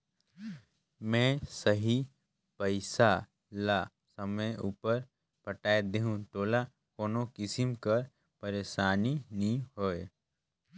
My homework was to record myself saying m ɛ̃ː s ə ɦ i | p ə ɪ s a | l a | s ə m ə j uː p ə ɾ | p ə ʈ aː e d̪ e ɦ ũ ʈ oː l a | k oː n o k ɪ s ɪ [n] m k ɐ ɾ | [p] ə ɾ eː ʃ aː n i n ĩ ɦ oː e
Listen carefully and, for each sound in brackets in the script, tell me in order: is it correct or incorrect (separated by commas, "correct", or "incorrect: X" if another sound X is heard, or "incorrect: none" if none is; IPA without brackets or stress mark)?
incorrect: none, correct